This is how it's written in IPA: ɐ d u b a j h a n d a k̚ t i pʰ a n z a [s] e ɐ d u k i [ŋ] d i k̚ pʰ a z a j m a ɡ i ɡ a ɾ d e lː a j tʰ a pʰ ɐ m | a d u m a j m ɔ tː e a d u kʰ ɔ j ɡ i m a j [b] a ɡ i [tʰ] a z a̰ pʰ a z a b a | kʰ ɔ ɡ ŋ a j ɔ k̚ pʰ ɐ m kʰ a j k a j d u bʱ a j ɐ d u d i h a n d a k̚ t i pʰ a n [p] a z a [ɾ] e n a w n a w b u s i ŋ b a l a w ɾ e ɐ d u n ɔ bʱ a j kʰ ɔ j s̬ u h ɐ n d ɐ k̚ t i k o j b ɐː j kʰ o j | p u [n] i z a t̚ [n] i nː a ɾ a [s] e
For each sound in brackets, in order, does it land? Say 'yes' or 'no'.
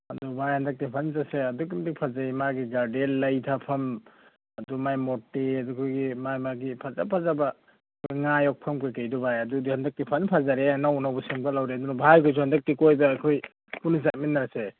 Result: yes, no, no, no, no, yes, yes, no, yes

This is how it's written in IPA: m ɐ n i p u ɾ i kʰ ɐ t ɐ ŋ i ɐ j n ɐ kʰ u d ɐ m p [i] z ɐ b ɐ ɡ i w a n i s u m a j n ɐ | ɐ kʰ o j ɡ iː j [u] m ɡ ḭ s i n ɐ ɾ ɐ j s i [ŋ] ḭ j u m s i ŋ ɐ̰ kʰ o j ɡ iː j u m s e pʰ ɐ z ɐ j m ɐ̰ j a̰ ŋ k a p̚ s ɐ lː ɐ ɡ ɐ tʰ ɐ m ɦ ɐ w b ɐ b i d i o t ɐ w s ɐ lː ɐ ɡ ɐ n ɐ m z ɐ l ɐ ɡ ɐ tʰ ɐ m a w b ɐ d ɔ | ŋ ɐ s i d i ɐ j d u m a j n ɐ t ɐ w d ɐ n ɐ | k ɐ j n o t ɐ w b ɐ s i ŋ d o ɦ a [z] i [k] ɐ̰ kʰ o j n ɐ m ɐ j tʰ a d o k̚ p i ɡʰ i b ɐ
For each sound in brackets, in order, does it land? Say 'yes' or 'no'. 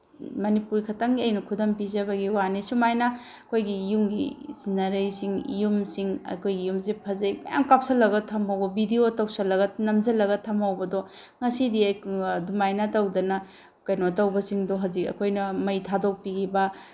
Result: yes, yes, yes, yes, yes

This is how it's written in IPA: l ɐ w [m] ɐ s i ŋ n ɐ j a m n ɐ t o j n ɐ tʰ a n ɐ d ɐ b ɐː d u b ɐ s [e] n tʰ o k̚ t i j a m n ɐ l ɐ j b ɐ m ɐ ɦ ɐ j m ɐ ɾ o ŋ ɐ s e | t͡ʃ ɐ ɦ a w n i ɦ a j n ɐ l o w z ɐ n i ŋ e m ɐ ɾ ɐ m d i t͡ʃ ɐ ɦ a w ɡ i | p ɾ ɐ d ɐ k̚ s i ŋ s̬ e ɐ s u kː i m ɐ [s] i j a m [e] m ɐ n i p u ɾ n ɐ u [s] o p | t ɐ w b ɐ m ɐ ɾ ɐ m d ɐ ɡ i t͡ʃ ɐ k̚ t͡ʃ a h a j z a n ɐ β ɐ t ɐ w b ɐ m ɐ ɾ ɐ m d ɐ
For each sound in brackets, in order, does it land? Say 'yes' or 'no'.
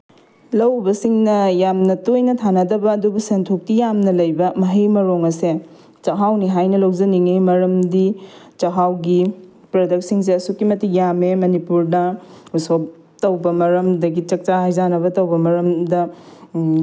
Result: no, yes, no, yes, yes

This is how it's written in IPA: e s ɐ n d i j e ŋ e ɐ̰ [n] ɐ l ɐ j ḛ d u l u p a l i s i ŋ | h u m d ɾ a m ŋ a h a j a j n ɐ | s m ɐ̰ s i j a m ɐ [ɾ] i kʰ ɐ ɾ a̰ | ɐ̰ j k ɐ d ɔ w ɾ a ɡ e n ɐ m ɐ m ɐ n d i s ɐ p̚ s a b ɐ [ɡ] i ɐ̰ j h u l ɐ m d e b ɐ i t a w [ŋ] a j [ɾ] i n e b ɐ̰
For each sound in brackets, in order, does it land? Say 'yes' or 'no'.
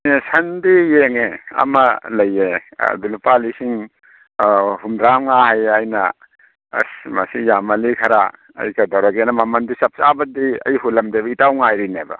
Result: no, no, no, yes, yes

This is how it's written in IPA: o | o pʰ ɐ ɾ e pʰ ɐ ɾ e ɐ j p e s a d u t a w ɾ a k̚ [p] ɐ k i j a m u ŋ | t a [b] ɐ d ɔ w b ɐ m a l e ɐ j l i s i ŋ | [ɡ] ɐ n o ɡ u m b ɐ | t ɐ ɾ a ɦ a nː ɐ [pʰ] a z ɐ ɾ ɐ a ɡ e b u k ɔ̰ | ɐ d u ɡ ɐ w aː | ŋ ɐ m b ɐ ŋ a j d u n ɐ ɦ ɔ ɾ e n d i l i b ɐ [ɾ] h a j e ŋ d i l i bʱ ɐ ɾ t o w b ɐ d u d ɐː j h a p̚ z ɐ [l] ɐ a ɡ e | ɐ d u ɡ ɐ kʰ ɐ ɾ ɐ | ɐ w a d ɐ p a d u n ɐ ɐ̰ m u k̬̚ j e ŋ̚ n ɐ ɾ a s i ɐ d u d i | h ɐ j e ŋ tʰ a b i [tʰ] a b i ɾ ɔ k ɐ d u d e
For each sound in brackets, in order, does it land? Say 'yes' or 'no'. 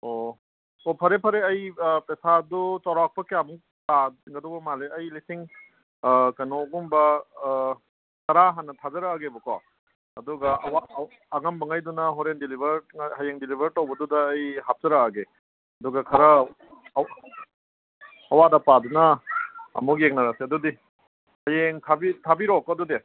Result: yes, no, no, no, yes, no, yes

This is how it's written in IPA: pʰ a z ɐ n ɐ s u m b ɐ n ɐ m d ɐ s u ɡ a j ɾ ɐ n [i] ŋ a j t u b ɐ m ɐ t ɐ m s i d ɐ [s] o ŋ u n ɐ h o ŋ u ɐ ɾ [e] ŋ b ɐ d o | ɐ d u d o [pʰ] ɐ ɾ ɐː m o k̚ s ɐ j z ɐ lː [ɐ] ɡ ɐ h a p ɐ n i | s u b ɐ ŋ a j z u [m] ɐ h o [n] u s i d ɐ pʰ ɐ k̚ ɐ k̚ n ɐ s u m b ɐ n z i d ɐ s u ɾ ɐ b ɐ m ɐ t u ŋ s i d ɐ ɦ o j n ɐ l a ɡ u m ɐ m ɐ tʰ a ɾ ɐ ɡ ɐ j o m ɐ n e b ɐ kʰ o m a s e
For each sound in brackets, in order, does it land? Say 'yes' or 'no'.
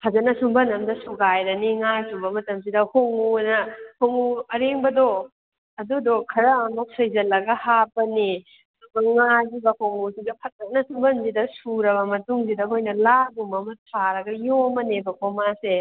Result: yes, no, yes, no, yes, no, no

